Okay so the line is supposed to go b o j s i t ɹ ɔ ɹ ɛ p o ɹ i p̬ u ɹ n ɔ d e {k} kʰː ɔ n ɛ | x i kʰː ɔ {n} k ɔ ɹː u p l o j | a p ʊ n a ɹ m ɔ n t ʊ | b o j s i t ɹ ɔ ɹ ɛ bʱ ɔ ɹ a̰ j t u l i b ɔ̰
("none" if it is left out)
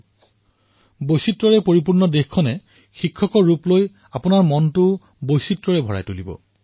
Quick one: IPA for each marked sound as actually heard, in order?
x, none

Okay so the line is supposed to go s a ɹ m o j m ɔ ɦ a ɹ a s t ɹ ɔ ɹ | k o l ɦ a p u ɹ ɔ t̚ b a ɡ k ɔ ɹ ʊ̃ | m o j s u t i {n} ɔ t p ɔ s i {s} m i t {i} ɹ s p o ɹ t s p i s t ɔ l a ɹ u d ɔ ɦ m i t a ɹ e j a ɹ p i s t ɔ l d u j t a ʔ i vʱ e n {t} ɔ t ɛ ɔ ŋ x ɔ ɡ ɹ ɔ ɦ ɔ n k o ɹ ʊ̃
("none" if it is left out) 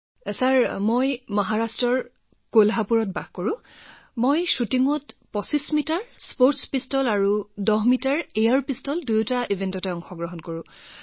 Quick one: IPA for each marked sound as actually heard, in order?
ŋ, s, a, t

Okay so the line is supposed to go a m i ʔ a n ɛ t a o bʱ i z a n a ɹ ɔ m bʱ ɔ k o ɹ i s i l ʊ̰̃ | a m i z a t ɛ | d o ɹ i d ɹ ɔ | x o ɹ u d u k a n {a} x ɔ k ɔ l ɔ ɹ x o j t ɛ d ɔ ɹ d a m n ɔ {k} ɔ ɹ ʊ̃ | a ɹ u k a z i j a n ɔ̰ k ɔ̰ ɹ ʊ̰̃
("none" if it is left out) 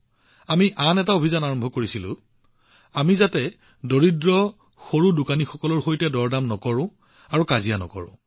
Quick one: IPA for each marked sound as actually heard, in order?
i, k

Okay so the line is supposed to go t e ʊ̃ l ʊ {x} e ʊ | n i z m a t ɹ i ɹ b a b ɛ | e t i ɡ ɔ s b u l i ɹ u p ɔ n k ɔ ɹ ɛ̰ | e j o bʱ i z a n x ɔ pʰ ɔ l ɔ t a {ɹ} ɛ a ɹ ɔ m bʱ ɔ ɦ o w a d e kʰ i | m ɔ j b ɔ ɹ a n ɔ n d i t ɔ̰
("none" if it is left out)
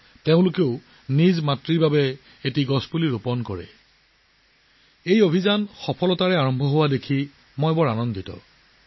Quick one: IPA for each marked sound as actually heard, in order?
k, ɹ

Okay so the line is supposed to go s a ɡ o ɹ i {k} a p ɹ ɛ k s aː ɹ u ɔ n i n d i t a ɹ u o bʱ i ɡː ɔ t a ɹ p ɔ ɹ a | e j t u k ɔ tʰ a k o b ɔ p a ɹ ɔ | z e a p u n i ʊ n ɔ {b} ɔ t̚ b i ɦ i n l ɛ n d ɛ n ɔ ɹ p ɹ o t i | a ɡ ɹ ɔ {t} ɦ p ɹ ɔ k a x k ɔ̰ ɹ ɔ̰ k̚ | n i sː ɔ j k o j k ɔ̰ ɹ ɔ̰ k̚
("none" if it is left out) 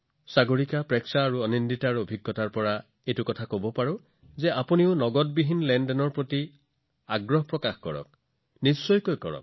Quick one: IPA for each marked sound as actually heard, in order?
k, ɡ, none

